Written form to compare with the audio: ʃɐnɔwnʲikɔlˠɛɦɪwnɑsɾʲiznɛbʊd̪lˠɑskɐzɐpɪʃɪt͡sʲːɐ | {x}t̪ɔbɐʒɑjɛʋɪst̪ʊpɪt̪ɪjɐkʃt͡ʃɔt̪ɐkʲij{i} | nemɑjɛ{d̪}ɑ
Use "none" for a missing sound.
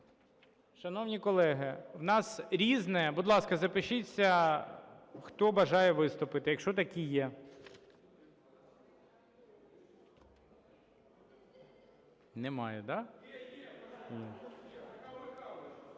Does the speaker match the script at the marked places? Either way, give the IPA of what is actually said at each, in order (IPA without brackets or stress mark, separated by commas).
x, ɛ, d̪